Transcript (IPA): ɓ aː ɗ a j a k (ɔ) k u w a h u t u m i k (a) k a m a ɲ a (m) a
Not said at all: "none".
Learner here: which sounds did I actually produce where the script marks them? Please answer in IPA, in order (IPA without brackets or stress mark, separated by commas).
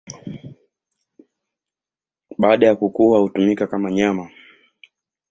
u, a, m